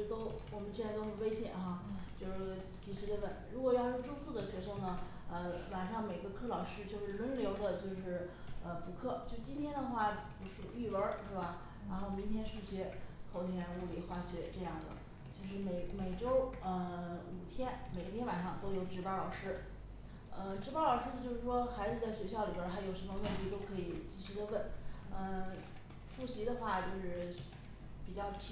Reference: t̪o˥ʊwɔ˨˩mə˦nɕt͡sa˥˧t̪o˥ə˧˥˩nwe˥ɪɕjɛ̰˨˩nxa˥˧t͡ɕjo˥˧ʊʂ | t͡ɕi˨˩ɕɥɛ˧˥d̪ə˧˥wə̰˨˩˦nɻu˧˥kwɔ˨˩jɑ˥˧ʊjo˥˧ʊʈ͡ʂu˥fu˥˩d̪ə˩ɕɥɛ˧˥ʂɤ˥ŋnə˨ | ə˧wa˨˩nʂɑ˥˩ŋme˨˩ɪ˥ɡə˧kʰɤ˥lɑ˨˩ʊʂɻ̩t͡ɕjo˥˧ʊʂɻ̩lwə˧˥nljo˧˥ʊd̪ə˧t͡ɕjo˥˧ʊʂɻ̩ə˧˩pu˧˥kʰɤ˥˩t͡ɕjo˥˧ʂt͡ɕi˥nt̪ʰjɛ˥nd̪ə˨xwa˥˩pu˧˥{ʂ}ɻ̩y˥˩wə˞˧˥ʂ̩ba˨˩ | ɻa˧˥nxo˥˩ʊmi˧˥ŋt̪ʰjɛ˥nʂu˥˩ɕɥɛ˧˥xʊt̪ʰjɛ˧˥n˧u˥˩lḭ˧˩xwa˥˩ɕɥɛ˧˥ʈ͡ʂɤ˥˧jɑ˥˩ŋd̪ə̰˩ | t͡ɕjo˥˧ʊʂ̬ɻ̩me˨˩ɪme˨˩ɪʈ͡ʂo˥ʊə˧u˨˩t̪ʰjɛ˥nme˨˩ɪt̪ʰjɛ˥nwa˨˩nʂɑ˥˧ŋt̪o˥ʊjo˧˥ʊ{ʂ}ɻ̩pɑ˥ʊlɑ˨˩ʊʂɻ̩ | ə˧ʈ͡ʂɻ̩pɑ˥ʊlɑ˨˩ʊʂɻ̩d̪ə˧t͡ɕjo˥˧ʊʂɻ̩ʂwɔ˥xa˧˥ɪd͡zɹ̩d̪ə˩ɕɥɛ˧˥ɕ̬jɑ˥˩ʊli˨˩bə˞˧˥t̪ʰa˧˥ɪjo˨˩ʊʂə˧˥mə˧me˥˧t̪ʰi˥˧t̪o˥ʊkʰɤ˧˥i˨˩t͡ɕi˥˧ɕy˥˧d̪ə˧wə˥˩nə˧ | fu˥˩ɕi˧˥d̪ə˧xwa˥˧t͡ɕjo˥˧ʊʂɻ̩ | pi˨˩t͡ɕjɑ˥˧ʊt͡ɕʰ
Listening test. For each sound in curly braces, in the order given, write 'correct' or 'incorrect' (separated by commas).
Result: correct, incorrect